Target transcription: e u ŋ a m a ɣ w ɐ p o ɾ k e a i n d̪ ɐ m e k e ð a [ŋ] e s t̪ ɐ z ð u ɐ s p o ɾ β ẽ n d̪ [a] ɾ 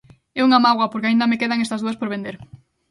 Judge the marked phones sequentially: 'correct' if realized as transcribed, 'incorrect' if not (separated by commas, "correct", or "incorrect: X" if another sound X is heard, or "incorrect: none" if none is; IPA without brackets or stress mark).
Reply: correct, incorrect: e